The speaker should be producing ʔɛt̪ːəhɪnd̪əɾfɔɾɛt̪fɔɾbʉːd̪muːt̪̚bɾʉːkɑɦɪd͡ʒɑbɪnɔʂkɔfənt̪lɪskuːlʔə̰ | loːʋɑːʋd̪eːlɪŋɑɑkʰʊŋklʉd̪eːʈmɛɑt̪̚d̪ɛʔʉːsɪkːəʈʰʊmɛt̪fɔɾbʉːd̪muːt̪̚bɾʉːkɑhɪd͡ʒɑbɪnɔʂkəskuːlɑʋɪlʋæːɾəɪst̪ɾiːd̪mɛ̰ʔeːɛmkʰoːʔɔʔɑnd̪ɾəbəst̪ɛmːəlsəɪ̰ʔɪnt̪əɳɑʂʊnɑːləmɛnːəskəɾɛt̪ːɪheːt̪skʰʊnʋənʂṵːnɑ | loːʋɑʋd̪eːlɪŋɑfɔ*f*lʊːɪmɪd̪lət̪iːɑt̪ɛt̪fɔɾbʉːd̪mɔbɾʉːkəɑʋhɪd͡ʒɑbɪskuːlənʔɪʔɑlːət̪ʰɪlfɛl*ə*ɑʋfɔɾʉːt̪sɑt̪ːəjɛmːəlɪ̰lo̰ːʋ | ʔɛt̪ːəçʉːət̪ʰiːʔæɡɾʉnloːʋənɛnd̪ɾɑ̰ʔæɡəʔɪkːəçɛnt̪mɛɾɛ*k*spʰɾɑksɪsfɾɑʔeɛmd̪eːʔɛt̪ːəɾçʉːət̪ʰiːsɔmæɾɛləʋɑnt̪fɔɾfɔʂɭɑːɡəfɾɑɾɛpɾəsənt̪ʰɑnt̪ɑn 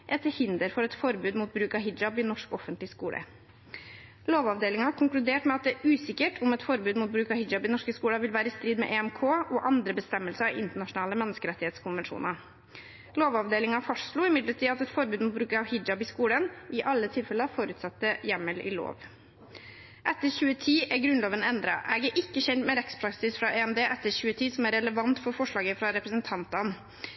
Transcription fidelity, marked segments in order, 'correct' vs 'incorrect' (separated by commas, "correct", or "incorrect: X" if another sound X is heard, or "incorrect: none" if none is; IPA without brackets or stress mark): incorrect: ʂ, correct, correct